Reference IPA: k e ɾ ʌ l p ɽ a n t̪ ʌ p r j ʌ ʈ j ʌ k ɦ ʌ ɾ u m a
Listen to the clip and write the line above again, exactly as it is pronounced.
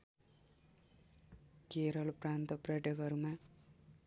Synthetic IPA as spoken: k e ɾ ʌ l p r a n t̪ ʌ p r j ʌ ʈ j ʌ k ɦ ʌ ɾ u m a